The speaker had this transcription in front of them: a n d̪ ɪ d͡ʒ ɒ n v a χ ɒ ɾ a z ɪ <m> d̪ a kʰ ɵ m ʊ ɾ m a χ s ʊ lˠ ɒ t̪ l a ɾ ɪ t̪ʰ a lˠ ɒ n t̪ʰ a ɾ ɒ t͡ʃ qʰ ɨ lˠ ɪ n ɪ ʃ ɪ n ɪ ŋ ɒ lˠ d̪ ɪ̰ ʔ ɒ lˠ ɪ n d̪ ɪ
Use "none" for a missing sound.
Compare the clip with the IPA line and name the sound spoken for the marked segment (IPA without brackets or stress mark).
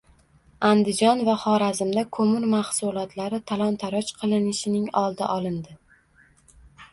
m